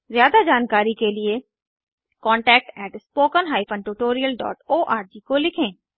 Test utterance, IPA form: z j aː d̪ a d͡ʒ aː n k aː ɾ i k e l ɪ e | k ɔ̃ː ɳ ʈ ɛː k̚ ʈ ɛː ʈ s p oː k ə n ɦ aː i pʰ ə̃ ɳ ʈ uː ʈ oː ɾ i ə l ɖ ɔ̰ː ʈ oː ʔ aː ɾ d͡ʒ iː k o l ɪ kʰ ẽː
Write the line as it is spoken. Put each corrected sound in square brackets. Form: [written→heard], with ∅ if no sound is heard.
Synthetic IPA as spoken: z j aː d̪ a d͡ʒ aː n k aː ɾ i k e l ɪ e | k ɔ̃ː ɳ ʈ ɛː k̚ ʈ ɛː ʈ s p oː k ə n ɦ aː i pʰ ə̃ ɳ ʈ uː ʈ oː ɾ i ə l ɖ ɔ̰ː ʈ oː ʔ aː ɾ d͡ʒ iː k o l ɪ kʰ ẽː